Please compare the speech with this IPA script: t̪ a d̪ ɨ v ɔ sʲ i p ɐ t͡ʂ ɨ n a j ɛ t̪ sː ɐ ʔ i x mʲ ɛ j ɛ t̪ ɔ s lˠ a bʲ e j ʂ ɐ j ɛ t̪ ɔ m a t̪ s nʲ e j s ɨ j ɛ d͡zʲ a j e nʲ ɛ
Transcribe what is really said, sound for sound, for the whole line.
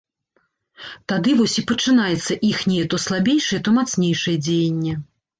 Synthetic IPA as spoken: t̪ a d̪ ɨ v ɔ sʲ i p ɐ t͡ʂ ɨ n a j ɛ t̪ sː ɐ ʔ i x nʲ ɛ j ɛ t̪ ɔ s lˠ a bʲ e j ʂ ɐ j ɛ t̪ ɔ m a t̪ s nʲ e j ʂ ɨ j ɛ d͡zʲ e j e nʲː ɛ